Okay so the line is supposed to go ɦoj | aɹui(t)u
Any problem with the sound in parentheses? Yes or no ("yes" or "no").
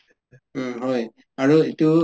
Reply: no